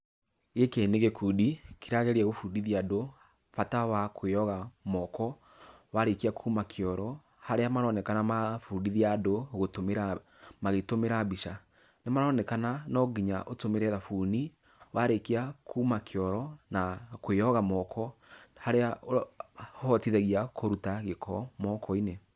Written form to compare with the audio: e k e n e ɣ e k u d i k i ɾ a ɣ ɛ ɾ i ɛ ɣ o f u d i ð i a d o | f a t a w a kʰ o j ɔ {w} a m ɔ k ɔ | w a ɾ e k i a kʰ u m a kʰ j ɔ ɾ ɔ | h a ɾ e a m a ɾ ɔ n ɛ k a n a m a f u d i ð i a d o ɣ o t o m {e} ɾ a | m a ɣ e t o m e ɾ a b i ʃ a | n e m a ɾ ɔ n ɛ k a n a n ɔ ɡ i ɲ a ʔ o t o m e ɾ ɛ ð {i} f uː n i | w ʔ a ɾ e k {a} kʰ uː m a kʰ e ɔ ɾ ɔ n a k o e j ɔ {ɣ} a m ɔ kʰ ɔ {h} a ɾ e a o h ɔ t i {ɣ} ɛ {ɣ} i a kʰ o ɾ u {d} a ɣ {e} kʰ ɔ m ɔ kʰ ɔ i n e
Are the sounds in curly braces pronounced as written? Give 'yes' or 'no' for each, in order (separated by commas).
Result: no, yes, no, yes, yes, yes, no, yes, no, yes